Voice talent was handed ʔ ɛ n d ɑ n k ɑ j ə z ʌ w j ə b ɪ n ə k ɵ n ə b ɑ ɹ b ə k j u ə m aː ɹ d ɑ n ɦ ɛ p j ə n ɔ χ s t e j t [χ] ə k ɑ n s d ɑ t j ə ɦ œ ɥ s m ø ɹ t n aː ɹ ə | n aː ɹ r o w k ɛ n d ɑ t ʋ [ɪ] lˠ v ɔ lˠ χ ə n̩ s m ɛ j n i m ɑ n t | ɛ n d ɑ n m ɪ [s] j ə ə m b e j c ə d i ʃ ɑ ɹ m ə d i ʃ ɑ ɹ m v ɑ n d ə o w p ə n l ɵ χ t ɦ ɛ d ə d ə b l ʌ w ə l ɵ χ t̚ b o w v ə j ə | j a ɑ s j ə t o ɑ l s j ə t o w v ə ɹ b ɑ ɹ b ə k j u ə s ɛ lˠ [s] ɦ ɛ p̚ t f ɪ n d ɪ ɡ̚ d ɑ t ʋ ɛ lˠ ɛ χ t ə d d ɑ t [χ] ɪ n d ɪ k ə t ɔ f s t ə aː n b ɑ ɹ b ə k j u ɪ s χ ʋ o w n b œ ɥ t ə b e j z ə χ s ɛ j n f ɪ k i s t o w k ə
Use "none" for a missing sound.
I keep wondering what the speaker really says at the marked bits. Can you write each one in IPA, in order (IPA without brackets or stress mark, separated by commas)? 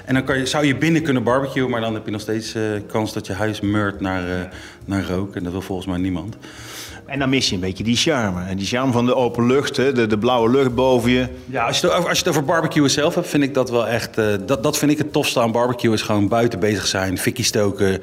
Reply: s, ɪ, s, f, f